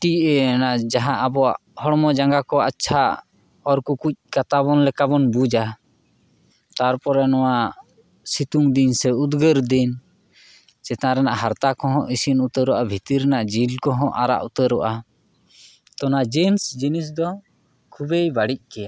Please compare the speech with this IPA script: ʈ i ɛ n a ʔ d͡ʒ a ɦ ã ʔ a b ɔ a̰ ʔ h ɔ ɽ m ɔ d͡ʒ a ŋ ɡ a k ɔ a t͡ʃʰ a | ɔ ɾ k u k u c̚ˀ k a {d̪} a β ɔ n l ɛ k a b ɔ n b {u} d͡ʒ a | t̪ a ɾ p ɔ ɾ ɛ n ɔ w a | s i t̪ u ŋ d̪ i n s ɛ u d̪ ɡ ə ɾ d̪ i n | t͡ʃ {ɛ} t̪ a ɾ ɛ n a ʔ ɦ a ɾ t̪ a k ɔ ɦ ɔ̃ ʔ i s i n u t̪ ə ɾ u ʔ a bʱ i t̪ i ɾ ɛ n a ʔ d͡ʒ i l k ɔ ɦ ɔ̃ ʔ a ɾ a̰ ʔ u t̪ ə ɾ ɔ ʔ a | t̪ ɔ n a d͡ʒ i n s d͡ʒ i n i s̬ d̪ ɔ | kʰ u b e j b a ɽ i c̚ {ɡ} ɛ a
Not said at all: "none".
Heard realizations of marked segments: t̪, u, ɛ, k

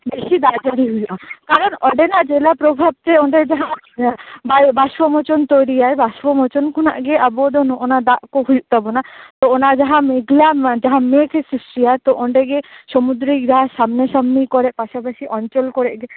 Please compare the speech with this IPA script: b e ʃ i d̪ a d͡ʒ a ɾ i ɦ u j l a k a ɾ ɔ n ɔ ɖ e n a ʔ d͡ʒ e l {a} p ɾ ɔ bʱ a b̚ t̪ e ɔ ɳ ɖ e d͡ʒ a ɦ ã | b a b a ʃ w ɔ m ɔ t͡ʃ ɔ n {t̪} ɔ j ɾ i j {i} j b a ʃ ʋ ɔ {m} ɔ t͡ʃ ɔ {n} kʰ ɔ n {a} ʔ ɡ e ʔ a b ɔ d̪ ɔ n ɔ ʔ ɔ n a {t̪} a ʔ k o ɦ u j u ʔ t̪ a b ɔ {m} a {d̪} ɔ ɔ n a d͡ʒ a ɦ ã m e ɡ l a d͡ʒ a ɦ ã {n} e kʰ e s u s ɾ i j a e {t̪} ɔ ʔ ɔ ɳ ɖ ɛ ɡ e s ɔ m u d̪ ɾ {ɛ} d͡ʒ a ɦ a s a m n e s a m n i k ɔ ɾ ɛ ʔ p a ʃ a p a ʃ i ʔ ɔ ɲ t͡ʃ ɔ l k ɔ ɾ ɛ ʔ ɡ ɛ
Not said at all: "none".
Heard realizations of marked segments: a, t̪, a, m, n, a, d̪, n, t̪, m, t̪, i

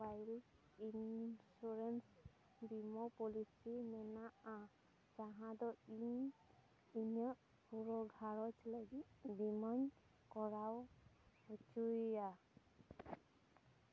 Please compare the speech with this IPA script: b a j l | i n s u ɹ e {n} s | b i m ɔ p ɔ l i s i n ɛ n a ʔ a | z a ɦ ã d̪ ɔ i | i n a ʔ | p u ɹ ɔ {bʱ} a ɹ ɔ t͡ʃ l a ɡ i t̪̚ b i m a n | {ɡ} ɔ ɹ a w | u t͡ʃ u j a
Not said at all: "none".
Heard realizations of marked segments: n, ɡʱ, k

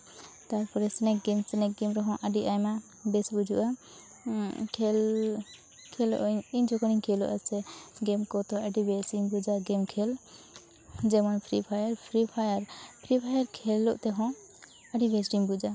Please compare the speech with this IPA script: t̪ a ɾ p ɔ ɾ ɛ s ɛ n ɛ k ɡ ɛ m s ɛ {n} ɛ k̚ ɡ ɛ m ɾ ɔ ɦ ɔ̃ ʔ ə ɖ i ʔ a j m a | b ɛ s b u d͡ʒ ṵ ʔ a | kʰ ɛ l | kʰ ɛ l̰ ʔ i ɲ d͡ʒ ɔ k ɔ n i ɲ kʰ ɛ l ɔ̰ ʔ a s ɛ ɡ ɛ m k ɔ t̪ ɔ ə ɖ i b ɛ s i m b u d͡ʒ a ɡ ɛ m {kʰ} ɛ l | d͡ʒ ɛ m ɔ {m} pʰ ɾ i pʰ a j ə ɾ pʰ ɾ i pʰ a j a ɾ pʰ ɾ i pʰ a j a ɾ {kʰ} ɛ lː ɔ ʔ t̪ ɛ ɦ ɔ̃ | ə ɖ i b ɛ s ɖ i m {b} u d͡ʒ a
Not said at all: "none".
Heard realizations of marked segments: n, kʰ, n, kʰ, b

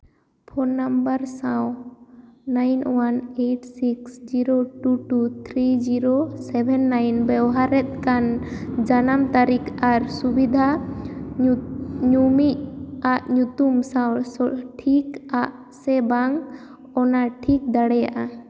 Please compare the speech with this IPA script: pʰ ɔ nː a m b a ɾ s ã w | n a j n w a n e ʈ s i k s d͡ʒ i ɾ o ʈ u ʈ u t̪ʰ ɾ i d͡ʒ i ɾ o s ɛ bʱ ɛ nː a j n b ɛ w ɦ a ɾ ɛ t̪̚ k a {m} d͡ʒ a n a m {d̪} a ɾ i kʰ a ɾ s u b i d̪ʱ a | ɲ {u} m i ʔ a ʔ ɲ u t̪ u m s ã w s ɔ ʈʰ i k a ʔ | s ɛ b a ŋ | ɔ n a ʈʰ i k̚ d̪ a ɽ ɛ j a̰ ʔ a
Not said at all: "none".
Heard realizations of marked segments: n, t̪, u

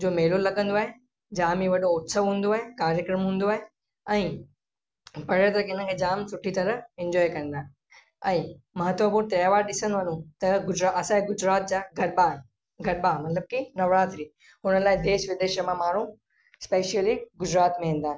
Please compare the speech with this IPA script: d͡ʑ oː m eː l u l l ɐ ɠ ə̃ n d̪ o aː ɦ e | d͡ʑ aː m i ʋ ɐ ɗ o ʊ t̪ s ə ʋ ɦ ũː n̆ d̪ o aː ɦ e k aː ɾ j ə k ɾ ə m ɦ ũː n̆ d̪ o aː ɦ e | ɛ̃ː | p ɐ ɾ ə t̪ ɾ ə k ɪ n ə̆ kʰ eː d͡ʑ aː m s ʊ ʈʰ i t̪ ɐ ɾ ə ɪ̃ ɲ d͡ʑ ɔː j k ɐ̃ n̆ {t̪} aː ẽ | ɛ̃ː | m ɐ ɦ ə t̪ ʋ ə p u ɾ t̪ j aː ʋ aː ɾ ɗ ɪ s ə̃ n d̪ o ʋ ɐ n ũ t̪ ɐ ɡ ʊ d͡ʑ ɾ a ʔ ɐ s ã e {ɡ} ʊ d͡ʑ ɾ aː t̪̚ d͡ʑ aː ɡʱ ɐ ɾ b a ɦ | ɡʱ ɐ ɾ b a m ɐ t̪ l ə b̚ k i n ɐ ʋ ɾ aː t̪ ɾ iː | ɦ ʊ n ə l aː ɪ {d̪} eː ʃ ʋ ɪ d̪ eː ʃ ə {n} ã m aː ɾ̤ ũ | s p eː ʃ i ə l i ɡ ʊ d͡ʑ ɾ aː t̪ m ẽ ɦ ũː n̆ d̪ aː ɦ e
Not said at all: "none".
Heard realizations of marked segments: d̪, ɡ, d̪, m

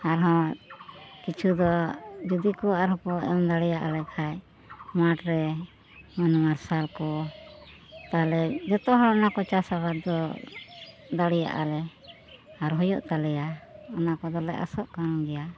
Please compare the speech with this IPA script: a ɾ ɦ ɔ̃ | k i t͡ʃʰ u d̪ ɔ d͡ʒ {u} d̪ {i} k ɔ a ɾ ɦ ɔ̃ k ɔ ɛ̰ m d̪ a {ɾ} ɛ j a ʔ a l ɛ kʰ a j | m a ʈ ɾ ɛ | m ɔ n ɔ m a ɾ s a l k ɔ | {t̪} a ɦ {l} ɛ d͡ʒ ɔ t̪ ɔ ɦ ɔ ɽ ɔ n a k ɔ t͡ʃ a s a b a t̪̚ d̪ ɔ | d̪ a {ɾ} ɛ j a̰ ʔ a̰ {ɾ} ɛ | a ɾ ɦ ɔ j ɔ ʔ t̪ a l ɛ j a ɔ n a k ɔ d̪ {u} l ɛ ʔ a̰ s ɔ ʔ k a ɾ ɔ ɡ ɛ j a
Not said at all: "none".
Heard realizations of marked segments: u, i, ɽ, t̪, l, ɽ, l, ɔ

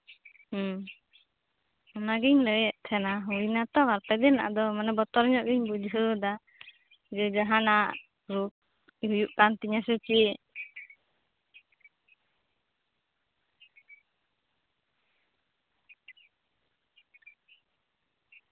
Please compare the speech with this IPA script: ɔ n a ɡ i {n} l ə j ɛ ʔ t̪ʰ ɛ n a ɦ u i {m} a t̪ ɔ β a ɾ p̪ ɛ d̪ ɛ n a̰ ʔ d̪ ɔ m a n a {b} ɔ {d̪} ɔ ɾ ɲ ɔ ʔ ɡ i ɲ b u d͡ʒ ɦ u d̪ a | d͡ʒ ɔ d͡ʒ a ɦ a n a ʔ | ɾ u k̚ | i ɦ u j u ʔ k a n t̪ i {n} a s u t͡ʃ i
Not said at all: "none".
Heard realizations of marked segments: ɲ, n, b, t̪, ɲ

